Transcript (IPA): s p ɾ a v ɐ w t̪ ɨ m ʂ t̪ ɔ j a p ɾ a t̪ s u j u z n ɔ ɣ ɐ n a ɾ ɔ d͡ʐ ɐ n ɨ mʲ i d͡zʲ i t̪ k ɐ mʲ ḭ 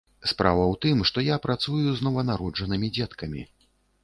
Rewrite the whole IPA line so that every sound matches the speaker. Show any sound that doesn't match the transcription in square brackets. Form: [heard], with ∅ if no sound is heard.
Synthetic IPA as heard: s p ɾ a v ɐ w t̪ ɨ m ʂ t̪ ɔ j a p ɾ a t̪ s u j u z n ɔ [v] ɐ n a ɾ ɔ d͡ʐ ɐ n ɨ mʲ i d͡zʲ [ɛ] t̪ k ɐ mʲ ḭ